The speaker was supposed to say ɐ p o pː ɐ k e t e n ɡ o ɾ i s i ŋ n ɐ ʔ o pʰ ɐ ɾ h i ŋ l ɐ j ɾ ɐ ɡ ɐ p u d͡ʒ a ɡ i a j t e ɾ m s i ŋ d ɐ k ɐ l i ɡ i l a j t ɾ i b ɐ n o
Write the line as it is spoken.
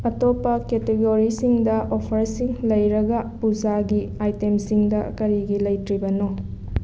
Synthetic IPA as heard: ɐ t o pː ɐ k e t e ɡ o ɾ i s i ŋ d ɐ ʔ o pʰ ɐ ɾ s i ŋ l ɐ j ɾ ɐ ɡ ɐ p u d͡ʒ a ɡ i a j t e m s i ŋ d ɐ k ɐ ɾ i ɡ i l ɐ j t ɾ i b ɐ n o